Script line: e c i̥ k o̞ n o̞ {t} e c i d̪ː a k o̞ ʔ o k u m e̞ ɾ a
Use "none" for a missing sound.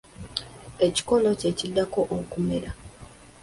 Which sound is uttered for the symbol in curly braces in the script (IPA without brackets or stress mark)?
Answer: c